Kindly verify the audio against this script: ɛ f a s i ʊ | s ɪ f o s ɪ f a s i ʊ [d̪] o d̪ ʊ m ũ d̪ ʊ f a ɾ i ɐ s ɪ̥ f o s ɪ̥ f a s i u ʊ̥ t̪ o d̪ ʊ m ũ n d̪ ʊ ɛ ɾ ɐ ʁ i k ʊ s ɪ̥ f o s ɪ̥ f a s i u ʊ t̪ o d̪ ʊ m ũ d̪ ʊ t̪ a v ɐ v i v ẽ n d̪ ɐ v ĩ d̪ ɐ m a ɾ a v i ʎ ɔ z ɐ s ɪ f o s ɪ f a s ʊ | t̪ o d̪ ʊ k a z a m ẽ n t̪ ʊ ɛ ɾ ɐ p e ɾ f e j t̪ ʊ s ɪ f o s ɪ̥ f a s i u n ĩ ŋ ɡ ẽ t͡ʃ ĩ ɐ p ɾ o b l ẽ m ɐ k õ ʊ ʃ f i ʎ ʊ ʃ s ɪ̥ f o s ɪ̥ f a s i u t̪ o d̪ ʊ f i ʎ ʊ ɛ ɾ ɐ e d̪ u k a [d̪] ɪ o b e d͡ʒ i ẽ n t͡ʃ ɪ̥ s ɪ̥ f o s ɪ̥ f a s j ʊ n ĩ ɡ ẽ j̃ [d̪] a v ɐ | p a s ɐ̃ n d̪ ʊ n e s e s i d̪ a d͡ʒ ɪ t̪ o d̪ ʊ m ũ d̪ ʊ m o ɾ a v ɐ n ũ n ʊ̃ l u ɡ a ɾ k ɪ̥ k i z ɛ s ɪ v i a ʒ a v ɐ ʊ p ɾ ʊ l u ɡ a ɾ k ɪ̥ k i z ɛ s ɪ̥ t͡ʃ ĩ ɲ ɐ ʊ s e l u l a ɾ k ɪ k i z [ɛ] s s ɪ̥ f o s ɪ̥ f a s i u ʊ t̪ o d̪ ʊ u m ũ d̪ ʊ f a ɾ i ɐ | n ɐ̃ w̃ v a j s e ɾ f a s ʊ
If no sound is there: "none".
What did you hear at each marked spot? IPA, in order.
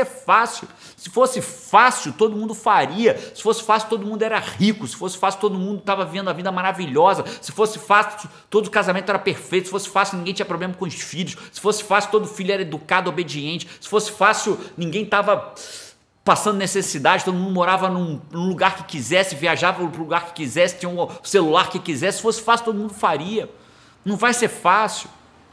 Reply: t̪, d̪, t̪, ɛ

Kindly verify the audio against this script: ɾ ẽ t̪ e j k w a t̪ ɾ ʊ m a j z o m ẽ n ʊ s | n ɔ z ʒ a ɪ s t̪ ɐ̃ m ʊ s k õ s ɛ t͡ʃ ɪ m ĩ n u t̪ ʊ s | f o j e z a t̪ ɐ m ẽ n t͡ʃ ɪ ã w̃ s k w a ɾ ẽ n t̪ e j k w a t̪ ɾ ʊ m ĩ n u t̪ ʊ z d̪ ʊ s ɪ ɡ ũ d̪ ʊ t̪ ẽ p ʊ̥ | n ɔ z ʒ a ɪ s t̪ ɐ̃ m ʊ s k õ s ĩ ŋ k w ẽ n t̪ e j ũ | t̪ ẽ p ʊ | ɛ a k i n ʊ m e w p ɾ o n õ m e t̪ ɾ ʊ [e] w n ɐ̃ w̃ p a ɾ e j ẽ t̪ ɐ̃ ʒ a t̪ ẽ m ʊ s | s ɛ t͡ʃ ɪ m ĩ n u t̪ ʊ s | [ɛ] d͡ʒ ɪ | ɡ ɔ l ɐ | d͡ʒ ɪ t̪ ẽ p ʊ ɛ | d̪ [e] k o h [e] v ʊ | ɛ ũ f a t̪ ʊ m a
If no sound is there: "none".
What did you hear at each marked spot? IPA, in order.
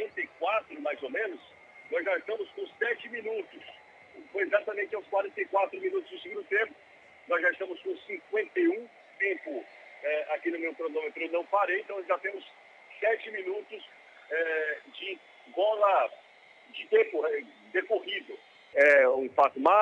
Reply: e, ɛ, e, i

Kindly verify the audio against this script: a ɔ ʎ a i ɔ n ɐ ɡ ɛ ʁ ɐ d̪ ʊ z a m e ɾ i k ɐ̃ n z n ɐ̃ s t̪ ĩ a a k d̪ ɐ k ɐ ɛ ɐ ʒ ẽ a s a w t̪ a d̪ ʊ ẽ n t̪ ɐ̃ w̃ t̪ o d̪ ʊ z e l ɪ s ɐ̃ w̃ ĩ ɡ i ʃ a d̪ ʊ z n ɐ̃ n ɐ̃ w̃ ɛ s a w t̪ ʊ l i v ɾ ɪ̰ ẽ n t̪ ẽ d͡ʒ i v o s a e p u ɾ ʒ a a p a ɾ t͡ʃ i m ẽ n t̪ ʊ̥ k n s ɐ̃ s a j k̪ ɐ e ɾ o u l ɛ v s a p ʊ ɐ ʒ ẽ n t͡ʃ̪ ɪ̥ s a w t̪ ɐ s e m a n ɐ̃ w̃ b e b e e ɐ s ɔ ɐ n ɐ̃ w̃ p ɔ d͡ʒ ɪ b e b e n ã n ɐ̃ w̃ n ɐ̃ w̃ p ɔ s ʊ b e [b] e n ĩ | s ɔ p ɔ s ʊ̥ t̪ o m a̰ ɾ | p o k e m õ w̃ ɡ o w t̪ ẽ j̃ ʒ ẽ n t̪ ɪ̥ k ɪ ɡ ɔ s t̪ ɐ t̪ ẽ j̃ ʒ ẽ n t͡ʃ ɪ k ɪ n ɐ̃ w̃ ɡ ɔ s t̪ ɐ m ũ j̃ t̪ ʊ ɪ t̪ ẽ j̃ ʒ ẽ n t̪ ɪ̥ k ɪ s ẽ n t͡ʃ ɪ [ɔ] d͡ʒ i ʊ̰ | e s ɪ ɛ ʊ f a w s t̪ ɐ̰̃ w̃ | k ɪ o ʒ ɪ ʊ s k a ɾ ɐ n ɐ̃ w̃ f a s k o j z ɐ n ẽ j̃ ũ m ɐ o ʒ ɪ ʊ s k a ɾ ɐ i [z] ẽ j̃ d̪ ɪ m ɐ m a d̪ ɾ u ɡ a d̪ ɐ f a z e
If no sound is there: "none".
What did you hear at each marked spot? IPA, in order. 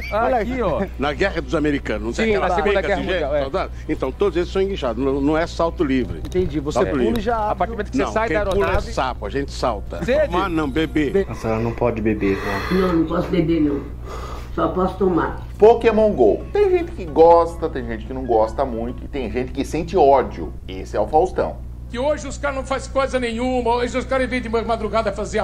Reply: b, ɔ, v

